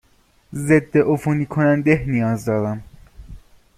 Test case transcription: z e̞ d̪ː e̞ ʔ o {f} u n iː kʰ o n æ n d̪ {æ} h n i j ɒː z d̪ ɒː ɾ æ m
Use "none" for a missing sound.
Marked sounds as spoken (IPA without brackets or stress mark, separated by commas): f, e